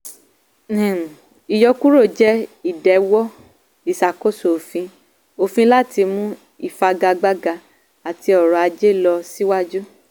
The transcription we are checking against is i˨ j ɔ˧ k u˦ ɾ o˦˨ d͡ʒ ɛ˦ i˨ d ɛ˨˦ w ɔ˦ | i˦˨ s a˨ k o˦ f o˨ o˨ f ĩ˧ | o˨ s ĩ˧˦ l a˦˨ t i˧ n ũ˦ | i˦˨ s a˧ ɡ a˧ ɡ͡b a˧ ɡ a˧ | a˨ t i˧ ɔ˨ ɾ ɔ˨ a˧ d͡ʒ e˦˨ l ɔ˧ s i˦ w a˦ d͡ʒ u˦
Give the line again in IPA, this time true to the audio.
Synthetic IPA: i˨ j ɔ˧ k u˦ ɾ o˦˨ d͡ʒ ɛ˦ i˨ d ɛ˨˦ w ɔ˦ | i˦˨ s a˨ k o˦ s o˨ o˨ f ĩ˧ | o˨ f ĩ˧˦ l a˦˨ t i˧ m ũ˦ | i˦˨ f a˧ ɡ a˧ ɡ͡b a˧ ɡ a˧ | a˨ t i˧ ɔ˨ ɾ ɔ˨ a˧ d͡ʒ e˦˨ l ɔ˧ s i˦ w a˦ d͡ʒ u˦